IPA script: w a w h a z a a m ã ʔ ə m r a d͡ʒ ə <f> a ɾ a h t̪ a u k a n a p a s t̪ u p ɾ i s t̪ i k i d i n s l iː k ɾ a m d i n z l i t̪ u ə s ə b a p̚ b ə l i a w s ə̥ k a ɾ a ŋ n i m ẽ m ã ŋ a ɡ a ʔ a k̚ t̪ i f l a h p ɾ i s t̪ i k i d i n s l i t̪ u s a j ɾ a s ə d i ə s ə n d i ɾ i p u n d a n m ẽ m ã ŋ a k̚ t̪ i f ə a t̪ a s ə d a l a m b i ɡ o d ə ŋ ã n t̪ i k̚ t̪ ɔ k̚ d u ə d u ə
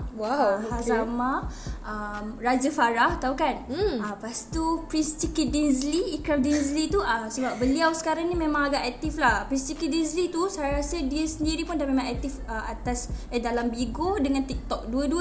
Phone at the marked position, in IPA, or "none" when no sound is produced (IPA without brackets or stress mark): f